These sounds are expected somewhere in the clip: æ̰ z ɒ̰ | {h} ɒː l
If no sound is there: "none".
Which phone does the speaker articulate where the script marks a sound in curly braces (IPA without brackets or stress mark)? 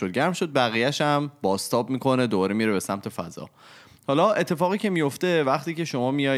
h